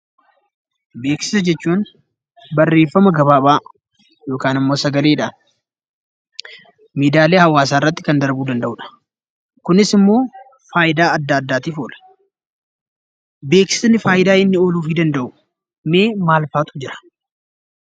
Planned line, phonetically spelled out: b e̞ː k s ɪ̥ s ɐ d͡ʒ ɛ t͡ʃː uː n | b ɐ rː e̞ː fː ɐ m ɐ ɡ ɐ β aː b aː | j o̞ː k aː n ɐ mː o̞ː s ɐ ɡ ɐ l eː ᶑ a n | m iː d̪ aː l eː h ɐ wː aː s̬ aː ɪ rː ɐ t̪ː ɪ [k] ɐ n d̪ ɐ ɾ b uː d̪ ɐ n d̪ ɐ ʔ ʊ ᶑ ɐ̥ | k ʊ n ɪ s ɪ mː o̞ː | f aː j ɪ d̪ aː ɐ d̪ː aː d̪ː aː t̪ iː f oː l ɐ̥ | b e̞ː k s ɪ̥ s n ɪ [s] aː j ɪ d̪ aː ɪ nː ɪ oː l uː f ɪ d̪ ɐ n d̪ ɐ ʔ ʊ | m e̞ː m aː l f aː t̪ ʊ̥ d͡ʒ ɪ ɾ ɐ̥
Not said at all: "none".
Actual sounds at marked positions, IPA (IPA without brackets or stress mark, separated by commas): k, f